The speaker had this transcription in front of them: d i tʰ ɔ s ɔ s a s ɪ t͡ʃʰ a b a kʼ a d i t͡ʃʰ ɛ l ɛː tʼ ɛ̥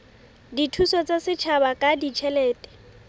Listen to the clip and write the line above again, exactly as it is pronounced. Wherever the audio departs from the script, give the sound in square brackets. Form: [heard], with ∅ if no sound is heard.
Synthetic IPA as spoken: d i tʰ [u] s ɔ [t͡s] a s ɪ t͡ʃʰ a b a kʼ a d i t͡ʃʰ ɛ l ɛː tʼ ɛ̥